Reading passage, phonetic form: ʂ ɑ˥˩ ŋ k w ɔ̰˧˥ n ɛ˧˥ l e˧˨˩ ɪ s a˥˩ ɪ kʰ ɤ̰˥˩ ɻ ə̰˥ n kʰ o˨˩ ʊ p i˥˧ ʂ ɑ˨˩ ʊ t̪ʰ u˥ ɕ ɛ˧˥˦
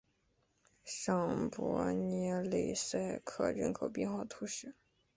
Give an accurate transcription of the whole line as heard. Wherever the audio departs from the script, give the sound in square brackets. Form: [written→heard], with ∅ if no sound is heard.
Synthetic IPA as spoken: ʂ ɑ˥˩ ŋ [k→p] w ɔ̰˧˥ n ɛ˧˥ l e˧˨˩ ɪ s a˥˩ ɪ kʰ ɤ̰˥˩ ɻ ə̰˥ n kʰ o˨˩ ʊ p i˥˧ [ʂ→x] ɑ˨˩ ʊ t̪ʰ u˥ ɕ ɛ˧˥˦